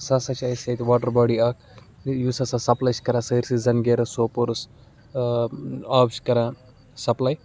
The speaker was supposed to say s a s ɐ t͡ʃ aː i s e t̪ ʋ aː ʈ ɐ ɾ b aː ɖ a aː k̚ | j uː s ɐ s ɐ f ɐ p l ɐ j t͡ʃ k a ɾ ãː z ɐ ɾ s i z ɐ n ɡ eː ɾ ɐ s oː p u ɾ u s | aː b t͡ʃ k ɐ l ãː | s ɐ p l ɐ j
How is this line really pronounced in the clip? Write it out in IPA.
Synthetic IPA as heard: s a s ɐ t͡ʃ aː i s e t̪ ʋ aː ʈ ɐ ɾ b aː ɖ i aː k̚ | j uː s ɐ s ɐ s ɐ p l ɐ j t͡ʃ k ɐ ɾ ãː s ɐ ɾ s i z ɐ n ɡ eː ɾ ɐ s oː p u ɾ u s | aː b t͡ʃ k ɐ ɾ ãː | s ɐ p l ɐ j